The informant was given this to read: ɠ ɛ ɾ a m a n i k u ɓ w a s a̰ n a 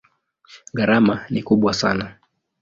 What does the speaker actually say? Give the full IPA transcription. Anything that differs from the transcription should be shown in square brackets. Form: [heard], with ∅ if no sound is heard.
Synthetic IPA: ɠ [a] ɾ a m a n i k u ɓ w a s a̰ n a